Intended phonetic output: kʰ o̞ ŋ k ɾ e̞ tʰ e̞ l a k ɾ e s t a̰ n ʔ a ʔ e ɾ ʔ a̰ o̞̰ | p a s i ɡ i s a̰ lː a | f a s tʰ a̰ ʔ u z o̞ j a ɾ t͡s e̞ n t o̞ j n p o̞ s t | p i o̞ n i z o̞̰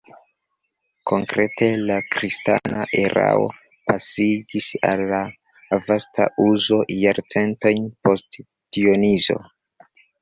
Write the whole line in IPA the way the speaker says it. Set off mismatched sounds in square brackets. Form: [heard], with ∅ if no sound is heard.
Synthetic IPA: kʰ o̞ ŋ k ɾ e̞ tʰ e̞ l a k ɾ [i] s t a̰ n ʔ a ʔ e ɾ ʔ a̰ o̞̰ | p a s i ɡ i s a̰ lː a | [v] a s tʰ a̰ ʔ u z o̞ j a ɾ t͡s e̞ n t o̞ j n p o̞ s t | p i o̞ n i z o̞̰